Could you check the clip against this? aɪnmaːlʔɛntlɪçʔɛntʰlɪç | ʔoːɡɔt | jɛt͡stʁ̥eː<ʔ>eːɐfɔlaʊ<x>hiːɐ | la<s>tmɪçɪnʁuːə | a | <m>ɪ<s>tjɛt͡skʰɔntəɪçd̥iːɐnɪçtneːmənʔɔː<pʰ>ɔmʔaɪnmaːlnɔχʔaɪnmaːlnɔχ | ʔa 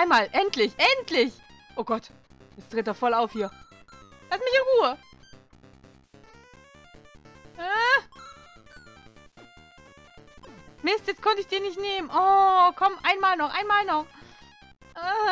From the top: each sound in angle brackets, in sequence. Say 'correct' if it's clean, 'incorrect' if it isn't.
incorrect, incorrect, correct, correct, correct, incorrect

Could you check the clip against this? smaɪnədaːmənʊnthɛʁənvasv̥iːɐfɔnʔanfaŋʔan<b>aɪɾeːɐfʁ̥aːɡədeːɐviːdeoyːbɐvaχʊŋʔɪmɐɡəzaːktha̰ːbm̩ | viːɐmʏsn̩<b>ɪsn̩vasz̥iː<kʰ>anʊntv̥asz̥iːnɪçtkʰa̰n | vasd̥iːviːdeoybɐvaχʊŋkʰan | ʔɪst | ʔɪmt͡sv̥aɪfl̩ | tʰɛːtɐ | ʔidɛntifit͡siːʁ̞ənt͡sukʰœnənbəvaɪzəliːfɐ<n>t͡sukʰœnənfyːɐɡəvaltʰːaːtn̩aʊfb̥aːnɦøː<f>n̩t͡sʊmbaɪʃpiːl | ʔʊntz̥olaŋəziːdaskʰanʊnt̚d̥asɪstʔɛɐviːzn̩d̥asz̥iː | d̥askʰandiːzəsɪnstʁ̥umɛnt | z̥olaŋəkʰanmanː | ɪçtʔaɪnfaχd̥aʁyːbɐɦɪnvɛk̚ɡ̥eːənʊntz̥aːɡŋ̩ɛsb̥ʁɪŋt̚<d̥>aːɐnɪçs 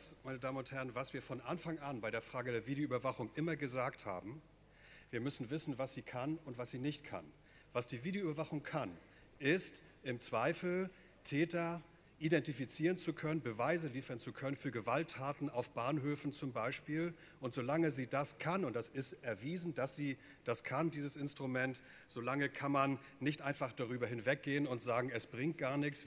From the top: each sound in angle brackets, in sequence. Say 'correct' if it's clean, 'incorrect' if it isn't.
correct, incorrect, correct, correct, correct, incorrect

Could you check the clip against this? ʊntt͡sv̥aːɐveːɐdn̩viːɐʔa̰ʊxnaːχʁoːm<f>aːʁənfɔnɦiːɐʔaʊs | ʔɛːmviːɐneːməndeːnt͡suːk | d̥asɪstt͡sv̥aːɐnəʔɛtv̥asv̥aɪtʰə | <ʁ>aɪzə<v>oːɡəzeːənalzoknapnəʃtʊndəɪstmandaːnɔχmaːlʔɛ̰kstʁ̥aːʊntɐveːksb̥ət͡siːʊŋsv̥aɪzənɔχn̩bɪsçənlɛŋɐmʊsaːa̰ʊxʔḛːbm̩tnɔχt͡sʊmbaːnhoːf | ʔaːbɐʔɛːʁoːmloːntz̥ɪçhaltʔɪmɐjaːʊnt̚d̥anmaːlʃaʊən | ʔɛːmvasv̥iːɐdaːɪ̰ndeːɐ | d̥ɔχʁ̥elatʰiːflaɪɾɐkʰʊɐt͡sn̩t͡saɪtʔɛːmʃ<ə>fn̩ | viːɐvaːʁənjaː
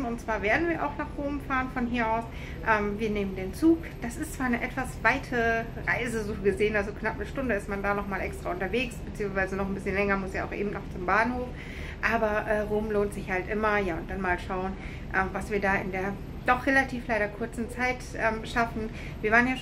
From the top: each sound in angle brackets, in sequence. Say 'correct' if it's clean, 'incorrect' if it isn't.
correct, correct, incorrect, incorrect

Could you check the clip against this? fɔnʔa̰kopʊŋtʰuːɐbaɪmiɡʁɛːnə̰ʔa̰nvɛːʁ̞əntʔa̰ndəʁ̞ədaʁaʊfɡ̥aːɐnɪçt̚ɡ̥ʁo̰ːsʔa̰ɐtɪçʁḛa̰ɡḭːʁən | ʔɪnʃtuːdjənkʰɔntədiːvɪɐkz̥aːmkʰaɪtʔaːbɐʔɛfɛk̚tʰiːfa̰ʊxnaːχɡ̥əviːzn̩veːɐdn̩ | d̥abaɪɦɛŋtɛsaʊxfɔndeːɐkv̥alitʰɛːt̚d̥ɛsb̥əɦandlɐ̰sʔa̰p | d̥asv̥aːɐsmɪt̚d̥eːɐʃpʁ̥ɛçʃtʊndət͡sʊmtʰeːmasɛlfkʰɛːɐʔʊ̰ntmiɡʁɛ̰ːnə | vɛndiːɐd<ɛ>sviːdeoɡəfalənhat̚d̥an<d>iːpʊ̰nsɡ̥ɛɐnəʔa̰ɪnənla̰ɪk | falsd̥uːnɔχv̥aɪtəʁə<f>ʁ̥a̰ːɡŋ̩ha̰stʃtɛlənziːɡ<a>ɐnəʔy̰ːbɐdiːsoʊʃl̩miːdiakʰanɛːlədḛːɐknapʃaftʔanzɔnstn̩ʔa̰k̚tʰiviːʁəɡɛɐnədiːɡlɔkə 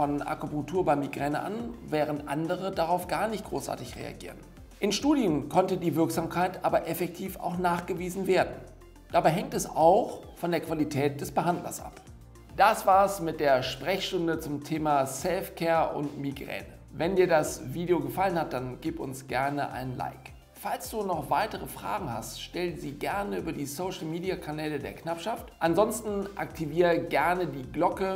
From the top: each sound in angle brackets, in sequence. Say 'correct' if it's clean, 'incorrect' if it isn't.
incorrect, incorrect, correct, incorrect

